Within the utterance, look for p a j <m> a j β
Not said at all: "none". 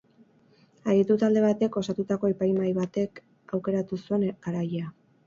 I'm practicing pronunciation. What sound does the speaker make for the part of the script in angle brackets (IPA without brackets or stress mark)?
m